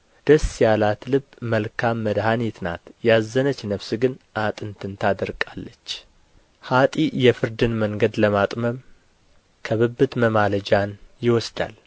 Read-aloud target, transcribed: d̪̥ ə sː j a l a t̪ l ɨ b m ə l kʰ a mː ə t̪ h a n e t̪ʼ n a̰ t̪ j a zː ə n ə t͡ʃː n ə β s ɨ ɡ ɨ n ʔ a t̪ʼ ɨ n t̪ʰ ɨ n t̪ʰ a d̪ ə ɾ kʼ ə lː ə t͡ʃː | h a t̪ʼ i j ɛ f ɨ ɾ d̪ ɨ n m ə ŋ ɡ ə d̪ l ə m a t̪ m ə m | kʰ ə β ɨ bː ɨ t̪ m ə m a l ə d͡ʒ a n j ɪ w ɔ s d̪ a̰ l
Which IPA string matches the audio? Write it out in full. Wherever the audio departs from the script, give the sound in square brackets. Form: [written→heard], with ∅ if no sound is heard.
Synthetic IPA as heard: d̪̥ ə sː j a l a t̪ l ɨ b m ə l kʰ a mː ə [t̪→d̪] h a n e [t̪ʼ→t̪] n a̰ t̪ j a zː ə n ə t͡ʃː n ə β s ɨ ɡ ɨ n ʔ a t̪ʼ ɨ n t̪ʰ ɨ n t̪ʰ a d̪ ə ɾ kʼ [ə→a] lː ə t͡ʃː | h a t̪ʼ i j ɛ f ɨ ɾ d̪ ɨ n m ə ŋ ɡ ə d̪ l ə m a [t̪→t̪ʼ] m ə m | kʰ ə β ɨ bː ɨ t̪ m ə m a l ə d͡ʒ a n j ɪ w ɔ s d̪ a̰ l